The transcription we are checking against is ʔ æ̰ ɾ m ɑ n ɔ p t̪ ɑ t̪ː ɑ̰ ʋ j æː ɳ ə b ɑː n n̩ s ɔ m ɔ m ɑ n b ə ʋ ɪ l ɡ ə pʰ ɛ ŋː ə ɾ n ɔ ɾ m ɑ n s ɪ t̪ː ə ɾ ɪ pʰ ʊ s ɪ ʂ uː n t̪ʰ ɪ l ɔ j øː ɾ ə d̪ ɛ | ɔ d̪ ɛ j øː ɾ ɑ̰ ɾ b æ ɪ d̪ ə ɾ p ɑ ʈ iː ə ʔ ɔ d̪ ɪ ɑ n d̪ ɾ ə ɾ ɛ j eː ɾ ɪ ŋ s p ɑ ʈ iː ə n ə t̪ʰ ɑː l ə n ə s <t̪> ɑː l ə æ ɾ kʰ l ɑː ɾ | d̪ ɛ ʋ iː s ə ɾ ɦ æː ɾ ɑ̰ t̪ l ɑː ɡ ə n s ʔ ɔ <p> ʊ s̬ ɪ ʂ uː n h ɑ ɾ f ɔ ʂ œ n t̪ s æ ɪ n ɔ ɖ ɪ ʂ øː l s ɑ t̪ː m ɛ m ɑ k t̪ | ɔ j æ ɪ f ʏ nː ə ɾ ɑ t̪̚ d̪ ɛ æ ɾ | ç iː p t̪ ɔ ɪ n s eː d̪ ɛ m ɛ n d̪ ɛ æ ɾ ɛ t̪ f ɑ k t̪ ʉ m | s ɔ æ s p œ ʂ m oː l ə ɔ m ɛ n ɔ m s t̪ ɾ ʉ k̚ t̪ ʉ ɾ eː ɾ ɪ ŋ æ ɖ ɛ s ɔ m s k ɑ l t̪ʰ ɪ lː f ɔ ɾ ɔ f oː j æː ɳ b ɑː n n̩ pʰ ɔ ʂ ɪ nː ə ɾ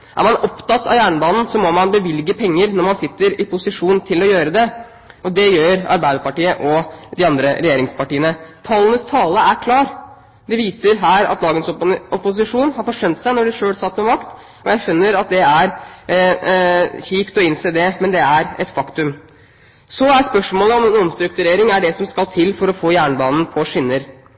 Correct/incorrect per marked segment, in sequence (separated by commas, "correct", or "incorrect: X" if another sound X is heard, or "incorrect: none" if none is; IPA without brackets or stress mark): incorrect: t̪ʰ, correct